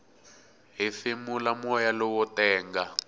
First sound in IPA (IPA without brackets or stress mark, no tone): ɦ